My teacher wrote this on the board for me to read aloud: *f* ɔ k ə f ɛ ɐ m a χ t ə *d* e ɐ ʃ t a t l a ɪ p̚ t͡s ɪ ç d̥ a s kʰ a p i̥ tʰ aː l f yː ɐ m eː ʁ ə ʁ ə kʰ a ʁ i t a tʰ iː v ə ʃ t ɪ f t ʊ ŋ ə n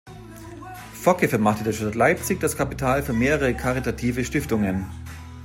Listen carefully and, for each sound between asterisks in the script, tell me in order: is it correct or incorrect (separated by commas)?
correct, correct